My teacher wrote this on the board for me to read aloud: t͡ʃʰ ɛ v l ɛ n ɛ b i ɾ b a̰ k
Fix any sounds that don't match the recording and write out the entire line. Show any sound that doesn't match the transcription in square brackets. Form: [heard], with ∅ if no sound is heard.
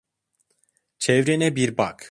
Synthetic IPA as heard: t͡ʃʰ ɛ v [ɾ] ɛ n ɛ b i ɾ b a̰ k